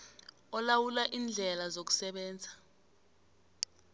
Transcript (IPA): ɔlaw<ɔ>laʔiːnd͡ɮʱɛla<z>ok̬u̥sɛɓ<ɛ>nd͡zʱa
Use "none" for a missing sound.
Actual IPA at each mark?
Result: u, z, ɛː

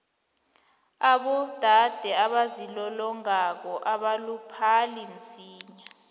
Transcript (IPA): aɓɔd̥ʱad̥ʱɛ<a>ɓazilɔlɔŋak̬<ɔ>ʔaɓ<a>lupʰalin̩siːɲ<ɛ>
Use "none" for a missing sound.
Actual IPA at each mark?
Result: a, ɔ, a, a

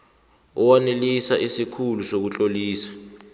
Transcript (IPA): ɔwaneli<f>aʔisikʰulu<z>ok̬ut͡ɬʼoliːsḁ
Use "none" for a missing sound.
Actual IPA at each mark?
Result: s, s

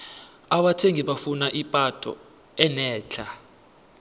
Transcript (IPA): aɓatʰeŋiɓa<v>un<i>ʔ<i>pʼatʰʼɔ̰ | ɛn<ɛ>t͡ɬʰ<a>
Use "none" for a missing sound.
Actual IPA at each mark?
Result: f, a, i, ɛː, a

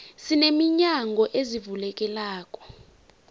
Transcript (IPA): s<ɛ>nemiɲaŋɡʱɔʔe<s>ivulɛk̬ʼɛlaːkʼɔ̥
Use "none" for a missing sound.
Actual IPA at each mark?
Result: i, z

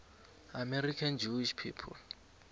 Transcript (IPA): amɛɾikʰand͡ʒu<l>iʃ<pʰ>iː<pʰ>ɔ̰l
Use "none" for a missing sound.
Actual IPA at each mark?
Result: none, pʰ, pʰ

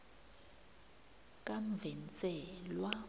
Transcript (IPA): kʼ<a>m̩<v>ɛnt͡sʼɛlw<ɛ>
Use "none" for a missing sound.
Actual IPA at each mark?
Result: a, v, a

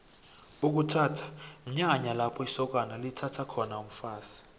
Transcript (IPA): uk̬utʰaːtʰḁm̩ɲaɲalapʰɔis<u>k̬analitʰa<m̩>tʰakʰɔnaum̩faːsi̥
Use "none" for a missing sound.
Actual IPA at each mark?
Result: ɔ, none

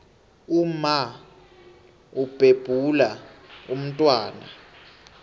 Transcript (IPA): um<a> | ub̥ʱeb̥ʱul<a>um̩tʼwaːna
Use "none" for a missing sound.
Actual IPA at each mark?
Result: a, a

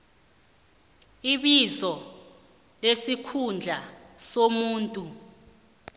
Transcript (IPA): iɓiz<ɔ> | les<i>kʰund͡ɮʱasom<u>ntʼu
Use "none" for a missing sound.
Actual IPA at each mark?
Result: ɔ, i, uː

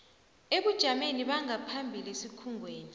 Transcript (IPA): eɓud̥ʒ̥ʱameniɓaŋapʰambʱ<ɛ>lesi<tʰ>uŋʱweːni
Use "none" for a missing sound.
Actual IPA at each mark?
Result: i, kʰ

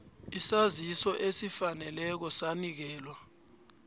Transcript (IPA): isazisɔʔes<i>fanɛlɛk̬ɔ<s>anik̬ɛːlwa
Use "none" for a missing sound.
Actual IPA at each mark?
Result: i, s

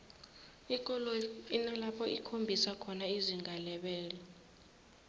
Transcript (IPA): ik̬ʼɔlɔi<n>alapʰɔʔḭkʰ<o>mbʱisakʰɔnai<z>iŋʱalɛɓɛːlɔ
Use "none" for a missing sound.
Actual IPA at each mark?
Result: n, o, z

